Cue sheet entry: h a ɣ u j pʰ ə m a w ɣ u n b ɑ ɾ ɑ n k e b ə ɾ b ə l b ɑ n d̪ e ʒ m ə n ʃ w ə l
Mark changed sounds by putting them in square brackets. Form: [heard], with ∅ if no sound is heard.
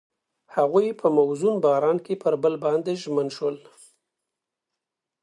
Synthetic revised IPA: h a ɣ u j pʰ ə m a w [z] u n b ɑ ɾ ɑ n k e [p] ə ɾ b ə l b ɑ n d̪ e ʒ m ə n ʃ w ə l